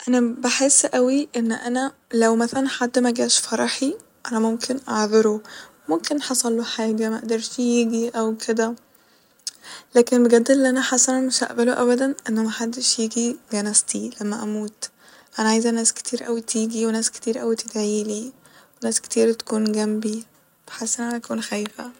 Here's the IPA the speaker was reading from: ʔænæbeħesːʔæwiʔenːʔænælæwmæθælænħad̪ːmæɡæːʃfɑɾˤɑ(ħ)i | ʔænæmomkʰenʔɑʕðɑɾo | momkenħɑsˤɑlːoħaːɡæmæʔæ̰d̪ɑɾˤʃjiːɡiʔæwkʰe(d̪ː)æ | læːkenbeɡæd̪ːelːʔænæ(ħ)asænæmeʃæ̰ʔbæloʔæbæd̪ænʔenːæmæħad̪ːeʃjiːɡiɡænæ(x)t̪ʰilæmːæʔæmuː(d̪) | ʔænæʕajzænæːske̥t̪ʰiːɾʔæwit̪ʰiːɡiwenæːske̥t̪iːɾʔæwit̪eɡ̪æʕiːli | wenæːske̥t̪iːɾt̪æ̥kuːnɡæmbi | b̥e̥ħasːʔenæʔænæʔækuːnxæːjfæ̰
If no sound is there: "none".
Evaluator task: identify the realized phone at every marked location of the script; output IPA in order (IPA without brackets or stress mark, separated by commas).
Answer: ħ, d̪, ħ, s, t̪